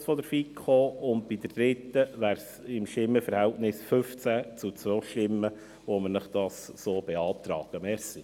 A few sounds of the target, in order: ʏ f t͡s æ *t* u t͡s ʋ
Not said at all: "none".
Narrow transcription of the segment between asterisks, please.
t͡s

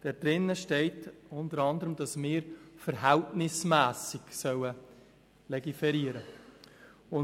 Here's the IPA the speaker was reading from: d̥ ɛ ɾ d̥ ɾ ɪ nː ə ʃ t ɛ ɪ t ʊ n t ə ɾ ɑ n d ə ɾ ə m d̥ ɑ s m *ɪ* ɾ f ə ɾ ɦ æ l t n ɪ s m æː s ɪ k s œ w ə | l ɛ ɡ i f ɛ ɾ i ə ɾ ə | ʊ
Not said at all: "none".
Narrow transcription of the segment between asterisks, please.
ɪː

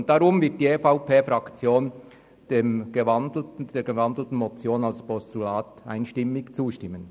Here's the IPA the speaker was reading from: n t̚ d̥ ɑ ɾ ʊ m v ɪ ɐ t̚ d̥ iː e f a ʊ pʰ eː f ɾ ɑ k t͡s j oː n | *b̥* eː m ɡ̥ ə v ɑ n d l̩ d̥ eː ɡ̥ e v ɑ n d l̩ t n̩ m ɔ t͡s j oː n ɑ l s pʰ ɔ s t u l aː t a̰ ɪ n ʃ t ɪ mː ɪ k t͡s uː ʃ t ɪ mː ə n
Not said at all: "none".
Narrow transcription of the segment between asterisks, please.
d̥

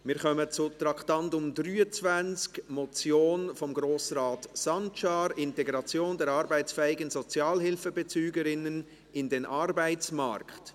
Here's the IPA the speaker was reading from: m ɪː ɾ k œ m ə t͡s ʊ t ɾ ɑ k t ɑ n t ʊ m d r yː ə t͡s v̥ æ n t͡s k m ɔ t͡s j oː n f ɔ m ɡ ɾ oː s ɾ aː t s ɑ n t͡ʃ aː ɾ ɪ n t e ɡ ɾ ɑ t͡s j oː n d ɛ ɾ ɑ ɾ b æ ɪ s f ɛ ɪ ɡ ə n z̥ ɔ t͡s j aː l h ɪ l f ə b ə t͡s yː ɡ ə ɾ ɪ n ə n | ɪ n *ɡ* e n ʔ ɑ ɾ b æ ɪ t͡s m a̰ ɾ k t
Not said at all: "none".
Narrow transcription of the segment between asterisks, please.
d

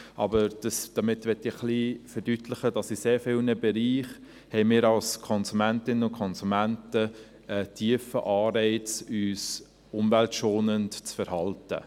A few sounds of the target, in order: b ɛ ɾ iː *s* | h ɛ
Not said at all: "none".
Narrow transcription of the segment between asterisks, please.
χ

